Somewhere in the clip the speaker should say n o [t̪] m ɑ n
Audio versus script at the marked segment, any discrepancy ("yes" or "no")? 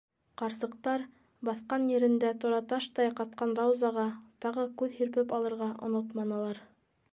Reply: no